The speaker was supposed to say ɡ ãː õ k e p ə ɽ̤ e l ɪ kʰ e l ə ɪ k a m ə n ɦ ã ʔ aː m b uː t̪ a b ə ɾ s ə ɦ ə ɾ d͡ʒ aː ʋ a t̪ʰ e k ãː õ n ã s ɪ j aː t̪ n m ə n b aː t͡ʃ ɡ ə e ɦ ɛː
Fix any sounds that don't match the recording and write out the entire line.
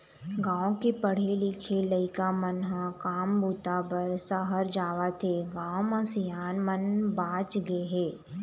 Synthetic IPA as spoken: ɡ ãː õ k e p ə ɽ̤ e l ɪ kʰ e l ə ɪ k a m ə n ɦ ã k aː m b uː t̪ a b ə ɾ s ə ɦ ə ɾ d͡ʒ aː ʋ a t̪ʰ e ɡ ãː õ m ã s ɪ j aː n m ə n b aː t͡ʃ ɡ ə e ɦ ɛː